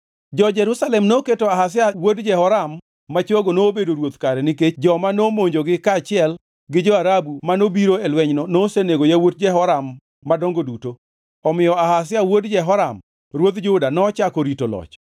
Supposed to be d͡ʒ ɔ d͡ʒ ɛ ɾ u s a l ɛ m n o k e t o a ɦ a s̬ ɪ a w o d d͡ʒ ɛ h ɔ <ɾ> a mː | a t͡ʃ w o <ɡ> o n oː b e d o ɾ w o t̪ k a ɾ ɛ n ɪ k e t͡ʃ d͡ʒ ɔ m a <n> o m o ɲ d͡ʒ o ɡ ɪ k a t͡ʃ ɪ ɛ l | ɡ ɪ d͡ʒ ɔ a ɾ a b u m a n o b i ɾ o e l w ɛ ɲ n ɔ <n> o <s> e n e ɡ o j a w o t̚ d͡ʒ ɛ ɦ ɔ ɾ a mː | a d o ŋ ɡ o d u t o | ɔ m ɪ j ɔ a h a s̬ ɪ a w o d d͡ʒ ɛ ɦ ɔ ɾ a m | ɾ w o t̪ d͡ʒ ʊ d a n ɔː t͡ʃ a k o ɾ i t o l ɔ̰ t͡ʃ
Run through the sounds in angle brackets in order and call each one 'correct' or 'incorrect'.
correct, correct, correct, correct, correct

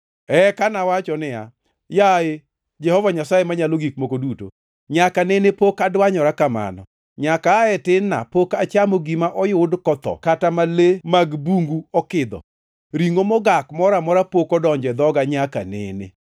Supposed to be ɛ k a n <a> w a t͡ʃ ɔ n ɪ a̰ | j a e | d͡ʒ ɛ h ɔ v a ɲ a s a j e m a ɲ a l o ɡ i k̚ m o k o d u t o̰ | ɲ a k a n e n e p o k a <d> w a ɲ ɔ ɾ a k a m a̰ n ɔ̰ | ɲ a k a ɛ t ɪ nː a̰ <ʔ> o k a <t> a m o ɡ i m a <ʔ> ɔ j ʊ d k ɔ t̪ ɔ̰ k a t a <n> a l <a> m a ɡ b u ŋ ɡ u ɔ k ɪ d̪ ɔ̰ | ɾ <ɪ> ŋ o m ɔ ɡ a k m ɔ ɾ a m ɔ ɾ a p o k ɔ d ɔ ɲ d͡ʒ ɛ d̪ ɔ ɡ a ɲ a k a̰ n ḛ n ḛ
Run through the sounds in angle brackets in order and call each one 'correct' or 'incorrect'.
correct, correct, incorrect: p, incorrect: t͡ʃ, correct, incorrect: m, incorrect: e, incorrect: i

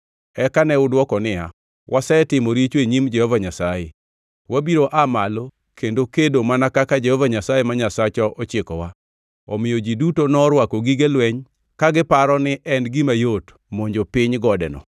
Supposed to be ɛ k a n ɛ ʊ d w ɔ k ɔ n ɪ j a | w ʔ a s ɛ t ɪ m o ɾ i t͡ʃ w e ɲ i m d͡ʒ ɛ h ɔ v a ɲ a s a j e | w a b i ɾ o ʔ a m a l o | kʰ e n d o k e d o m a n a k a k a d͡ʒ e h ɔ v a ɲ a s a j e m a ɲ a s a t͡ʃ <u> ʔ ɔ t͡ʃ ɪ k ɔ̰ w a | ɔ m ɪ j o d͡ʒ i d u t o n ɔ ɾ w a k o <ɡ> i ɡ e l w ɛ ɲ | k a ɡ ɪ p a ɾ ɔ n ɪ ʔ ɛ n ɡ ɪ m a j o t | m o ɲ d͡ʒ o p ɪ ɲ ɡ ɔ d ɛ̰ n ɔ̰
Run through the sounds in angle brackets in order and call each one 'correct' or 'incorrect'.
incorrect: ɔ, correct

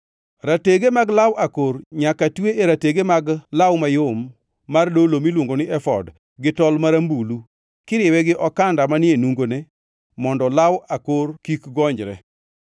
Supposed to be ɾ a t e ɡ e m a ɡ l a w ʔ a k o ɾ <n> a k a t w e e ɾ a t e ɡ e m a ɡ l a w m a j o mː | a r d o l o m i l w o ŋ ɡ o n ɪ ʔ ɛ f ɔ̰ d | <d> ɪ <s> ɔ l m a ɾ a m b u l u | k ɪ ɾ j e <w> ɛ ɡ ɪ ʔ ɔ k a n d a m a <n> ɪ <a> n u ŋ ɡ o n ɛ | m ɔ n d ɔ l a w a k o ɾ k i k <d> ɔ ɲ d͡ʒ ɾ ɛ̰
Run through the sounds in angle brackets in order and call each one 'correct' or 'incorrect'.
incorrect: ɲ, incorrect: ɡ, incorrect: t, correct, correct, incorrect: e, incorrect: ɡ

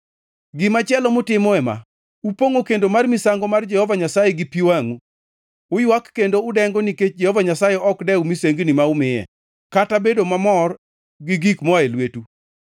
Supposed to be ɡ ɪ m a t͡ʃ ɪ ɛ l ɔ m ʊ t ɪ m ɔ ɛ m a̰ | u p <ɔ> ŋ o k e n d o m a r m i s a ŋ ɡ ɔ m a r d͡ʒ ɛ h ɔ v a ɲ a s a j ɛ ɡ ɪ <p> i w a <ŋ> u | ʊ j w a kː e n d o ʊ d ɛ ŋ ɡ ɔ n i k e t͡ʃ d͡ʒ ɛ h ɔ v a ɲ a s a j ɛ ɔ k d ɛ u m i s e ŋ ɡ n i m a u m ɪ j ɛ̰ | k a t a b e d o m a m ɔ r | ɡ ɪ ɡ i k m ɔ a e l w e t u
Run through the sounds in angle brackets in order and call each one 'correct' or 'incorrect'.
incorrect: o, correct, correct

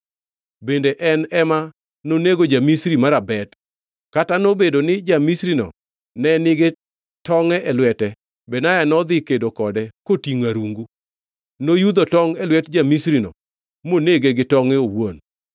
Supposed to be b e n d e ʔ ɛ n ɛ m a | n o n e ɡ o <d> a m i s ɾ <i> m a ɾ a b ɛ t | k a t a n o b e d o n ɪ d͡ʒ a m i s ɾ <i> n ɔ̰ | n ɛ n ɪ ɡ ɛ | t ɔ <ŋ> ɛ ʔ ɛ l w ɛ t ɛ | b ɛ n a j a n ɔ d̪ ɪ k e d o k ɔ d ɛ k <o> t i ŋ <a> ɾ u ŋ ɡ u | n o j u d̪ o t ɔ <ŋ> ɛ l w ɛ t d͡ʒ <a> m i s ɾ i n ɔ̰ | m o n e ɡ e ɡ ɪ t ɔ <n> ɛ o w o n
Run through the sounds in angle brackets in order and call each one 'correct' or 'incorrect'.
incorrect: d͡ʒ, correct, correct, correct, correct, correct, correct, correct, incorrect: ŋ

